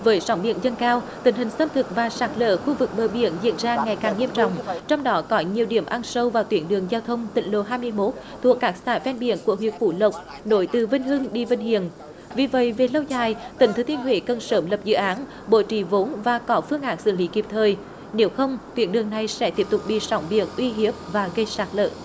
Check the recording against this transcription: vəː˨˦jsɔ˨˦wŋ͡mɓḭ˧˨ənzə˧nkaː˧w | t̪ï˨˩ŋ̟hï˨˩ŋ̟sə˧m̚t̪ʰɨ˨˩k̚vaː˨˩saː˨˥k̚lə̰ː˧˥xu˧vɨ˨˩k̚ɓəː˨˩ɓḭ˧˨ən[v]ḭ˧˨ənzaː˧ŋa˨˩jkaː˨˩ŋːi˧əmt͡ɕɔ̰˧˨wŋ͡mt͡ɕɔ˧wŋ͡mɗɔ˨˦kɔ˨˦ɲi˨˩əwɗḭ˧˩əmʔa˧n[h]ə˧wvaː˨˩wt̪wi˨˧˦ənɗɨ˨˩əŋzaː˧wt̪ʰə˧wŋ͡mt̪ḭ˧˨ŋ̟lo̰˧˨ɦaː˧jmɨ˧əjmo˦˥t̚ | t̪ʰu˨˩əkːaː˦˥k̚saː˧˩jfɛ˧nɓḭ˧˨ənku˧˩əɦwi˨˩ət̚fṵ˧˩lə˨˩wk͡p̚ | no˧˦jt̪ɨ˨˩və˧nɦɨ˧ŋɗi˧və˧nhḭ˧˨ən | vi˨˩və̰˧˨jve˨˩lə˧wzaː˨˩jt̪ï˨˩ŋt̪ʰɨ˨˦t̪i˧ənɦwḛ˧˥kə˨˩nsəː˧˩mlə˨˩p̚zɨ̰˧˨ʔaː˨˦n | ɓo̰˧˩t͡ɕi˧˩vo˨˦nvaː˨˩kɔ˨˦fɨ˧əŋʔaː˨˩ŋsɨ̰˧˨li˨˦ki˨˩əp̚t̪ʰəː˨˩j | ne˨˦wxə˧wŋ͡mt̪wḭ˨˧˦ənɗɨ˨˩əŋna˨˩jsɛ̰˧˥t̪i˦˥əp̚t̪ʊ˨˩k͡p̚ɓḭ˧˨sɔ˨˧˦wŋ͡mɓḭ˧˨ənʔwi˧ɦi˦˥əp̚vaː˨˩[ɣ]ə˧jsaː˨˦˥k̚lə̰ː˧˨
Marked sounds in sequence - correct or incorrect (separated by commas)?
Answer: incorrect, incorrect, correct